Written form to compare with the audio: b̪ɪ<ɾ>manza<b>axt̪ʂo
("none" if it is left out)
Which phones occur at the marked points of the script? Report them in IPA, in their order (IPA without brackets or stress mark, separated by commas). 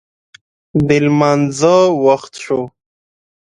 l, w